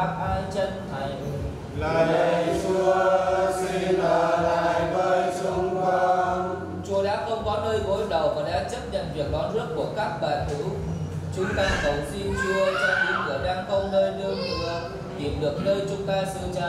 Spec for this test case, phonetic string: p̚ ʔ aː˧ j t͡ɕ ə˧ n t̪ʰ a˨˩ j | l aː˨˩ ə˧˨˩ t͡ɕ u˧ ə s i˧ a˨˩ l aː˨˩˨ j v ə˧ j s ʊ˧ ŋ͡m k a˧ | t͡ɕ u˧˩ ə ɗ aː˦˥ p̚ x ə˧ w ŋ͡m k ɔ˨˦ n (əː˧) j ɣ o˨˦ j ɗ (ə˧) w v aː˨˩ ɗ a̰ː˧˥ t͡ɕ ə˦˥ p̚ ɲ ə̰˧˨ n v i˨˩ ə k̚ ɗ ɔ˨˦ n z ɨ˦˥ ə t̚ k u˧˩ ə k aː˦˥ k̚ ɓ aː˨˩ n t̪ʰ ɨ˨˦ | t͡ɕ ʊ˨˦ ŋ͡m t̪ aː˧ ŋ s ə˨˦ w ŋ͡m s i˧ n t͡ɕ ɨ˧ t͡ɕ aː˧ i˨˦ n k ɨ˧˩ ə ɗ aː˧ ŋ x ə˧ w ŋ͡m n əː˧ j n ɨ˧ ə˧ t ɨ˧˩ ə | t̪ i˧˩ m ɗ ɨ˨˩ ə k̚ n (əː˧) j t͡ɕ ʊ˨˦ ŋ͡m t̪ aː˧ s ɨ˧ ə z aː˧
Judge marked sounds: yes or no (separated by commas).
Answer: yes, no, yes